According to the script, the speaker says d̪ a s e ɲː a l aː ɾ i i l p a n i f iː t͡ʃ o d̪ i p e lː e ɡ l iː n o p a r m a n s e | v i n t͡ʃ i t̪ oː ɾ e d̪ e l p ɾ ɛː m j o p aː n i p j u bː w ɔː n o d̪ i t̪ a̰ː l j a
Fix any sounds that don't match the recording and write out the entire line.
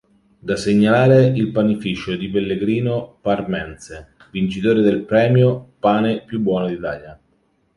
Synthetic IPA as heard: d̪ a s e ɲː a l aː ɾ e i l p a n i f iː t͡ʃ o d̪ i p e lː e ɡ ɾ iː n o p a r m ɛ n s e | v i n t͡ʃ i t̪ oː ɾ e d̪ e l p ɾ ɛː m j o p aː n e p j u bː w ɔː n o d̪ i t̪ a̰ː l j a